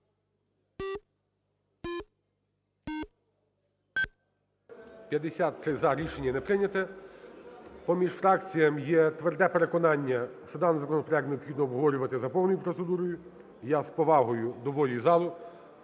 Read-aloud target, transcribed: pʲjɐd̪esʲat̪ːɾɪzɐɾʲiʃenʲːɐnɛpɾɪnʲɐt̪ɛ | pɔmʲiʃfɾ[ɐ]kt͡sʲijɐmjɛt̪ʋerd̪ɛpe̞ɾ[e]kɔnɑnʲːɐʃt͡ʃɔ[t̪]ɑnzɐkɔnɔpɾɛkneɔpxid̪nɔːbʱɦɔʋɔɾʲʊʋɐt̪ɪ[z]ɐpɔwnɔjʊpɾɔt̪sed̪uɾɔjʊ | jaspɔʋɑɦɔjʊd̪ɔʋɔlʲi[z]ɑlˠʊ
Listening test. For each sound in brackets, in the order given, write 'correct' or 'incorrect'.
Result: incorrect: ɑ, correct, incorrect: d̪, correct, correct

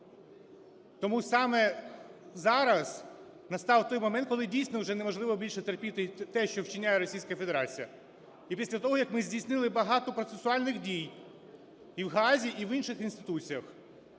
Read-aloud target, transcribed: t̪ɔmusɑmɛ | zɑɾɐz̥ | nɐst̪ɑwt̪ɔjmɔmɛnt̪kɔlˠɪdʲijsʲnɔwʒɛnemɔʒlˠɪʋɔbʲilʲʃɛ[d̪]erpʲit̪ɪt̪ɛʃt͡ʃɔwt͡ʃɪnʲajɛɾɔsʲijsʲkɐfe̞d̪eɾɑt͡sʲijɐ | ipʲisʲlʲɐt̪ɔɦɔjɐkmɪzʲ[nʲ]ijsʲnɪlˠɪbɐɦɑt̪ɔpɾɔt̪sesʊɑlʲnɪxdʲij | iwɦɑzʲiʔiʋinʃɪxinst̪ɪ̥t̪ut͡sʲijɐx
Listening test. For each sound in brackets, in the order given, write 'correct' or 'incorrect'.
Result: incorrect: t̪, incorrect: dʲ

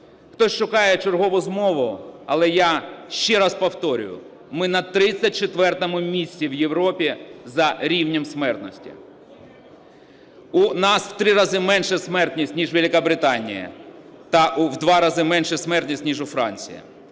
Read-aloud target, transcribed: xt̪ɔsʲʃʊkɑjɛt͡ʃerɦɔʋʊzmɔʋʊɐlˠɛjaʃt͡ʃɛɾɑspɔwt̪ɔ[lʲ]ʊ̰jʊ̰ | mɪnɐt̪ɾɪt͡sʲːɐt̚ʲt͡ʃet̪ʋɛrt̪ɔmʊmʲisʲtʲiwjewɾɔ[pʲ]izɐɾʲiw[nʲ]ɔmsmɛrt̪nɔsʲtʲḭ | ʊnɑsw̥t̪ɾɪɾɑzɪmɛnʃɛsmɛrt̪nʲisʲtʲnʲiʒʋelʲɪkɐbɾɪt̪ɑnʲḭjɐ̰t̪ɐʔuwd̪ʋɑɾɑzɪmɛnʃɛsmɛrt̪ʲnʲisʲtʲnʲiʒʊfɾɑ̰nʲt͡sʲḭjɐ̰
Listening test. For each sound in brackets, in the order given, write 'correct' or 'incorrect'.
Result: incorrect: ɾʲ, correct, correct

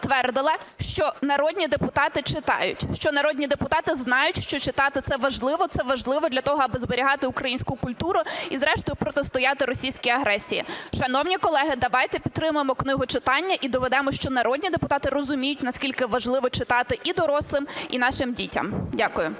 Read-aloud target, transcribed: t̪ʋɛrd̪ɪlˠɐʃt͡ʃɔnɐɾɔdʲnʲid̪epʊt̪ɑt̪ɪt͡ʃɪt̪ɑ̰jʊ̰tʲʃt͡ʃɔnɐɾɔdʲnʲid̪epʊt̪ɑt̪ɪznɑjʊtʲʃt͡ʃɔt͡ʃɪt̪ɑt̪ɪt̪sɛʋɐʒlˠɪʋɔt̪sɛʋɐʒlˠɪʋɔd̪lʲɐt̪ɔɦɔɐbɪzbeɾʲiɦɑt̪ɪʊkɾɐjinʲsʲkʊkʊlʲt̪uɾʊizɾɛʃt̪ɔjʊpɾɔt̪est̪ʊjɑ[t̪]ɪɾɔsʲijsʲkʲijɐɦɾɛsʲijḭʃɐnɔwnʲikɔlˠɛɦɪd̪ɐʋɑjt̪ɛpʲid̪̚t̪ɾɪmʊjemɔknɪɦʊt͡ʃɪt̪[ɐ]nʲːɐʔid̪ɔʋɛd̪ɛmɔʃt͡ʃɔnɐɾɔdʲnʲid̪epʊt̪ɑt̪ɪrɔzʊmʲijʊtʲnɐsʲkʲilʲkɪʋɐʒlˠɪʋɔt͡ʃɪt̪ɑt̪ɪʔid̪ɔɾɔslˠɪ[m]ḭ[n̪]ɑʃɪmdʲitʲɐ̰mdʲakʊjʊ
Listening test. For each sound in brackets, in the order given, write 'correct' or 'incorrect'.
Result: correct, incorrect: ɑ, correct, correct

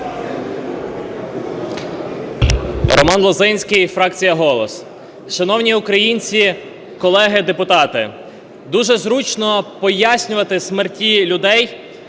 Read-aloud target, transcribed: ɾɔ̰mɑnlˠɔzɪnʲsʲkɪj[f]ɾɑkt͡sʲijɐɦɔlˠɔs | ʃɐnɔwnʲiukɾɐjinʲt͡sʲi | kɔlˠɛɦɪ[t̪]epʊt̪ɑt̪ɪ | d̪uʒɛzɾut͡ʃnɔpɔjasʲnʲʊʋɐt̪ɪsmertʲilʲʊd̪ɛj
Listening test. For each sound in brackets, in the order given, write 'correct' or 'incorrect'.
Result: correct, incorrect: d̪

